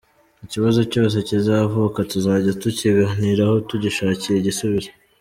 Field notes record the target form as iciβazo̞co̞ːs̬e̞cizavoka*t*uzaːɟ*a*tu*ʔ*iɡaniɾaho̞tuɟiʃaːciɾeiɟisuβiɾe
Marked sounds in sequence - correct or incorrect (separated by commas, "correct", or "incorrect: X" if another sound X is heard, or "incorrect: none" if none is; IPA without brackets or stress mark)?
correct, correct, incorrect: c